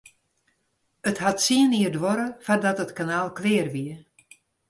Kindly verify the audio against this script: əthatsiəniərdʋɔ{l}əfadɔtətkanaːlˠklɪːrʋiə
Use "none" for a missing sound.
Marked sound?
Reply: ɾ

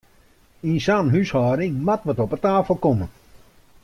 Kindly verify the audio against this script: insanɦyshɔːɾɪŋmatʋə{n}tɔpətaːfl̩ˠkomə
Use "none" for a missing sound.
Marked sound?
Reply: none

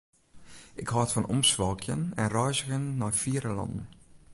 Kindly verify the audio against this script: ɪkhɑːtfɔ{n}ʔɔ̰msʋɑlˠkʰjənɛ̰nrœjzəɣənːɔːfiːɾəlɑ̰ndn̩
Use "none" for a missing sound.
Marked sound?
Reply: n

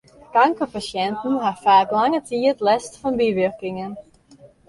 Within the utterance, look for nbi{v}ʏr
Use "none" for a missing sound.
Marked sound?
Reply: ʋ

